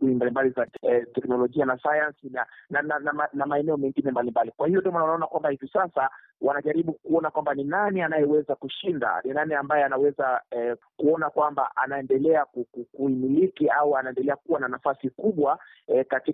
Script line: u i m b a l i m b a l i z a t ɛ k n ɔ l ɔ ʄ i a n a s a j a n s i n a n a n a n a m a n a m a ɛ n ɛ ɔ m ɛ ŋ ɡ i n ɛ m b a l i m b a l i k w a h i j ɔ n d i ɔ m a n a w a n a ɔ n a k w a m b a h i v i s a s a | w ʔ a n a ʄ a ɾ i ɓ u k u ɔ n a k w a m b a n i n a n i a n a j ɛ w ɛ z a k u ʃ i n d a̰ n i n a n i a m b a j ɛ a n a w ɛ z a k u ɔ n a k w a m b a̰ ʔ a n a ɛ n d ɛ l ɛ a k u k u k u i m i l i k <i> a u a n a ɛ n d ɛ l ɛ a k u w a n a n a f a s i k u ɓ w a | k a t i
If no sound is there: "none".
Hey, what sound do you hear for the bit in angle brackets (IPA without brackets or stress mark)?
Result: i